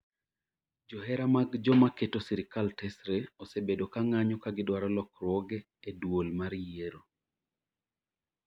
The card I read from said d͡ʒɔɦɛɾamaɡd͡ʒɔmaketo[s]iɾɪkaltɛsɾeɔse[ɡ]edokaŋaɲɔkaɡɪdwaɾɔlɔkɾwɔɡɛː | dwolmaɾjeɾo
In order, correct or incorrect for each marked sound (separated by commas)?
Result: correct, incorrect